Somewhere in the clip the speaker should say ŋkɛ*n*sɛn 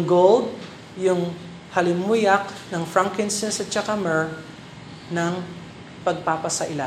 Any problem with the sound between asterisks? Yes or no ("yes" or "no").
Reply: no